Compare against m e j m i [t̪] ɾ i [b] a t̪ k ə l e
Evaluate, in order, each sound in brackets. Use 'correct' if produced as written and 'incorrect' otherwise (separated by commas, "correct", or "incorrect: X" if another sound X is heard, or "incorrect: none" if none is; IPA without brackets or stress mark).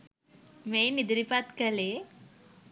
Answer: incorrect: d̪, incorrect: p